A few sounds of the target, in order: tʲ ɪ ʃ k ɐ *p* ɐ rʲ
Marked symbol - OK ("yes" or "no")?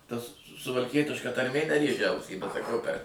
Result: no